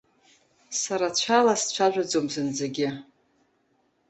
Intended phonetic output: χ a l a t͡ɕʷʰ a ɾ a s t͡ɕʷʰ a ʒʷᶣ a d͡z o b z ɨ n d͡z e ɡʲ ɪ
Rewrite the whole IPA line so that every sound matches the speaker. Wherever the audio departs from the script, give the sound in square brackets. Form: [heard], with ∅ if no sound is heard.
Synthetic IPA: [s] a [ɾ] a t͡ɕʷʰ a [l] a s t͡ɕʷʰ a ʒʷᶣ a d͡z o [m] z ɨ n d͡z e ɡʲ ɪ